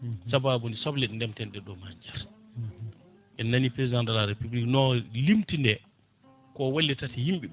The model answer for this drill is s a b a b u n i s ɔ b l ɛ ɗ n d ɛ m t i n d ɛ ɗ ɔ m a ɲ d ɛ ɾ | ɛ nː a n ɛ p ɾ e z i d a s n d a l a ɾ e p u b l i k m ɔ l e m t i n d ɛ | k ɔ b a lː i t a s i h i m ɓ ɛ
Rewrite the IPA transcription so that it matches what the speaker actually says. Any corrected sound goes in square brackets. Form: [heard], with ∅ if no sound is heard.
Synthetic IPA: s a b a b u n i s ɔ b l ɛ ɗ n d ɛ m t [ɛ] n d ɛ ɗ ɔ m a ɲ [d͡ʒ] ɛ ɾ | ɛ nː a n [i] p ɾ e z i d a [∅] n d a l a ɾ e p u b l i k [n] ɔ l [i] m t i n d ɛ | k ɔ [w] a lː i t a [t] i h i m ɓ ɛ